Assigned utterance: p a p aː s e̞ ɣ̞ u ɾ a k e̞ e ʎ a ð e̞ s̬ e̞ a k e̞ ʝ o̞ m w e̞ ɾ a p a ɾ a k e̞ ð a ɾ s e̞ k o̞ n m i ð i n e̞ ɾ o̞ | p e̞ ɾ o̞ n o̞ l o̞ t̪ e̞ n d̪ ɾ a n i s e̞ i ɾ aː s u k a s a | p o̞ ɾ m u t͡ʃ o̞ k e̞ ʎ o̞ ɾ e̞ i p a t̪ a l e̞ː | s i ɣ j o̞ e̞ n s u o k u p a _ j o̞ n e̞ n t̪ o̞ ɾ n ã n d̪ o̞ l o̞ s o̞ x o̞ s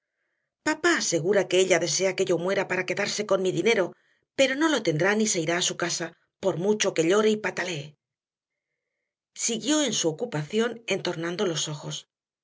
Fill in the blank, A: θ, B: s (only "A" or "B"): A